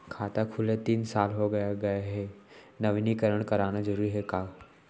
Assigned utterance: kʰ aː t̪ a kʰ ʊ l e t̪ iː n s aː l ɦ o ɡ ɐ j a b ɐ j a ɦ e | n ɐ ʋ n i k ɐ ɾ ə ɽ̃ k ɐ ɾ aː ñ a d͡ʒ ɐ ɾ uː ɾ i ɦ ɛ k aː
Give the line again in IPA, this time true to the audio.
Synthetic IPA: kʰ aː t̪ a kʰ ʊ l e t̪ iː n s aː l ɦ o ɡ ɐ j a ɡ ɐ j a ɦ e | n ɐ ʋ n i k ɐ ɾ ə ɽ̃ k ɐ ɾ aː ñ a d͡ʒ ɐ ɾ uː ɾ i ɦ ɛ k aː